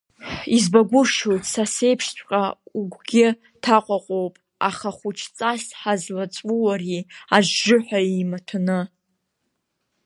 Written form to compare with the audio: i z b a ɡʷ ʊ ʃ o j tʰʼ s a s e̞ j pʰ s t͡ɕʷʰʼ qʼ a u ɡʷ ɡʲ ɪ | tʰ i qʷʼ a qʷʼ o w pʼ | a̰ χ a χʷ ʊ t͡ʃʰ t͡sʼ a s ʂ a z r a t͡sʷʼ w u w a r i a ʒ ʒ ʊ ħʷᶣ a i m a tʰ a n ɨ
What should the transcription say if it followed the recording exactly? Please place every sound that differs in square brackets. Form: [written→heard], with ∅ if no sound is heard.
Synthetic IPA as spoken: i z b a ɡʷ ʊ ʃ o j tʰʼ s a s e̞ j pʰ [s→ʂ] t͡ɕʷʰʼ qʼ a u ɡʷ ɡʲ ɪ | tʰ [i→a] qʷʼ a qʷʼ o w pʼ | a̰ χ a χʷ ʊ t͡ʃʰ t͡sʼ a s [ʂ→ħ] a z [r→l] a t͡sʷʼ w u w a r i a ʒ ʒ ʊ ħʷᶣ a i m a tʰ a n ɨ